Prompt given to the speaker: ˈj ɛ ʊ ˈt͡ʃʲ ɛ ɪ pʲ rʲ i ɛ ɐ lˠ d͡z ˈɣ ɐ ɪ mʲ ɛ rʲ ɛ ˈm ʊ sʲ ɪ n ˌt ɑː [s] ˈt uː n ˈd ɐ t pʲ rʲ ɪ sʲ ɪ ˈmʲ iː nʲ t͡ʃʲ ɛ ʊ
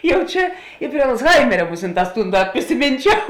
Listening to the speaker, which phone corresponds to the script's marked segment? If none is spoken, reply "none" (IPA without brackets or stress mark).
s